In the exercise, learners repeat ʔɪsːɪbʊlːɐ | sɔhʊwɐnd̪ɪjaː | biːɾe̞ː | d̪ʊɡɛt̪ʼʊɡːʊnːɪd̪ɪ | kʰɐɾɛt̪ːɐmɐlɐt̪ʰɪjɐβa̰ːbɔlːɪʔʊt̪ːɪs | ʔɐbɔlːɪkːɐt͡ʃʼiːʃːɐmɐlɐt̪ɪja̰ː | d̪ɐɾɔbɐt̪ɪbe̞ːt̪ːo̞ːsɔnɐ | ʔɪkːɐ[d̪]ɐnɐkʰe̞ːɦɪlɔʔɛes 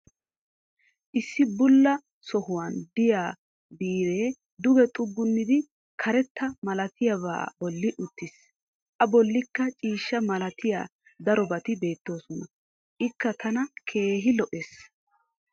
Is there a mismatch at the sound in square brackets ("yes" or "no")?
yes